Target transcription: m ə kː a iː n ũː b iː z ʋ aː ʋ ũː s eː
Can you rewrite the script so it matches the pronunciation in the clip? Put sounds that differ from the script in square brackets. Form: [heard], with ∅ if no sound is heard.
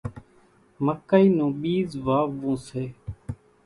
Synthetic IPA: m ə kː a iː n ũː [ɓ] iː z ʋ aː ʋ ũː s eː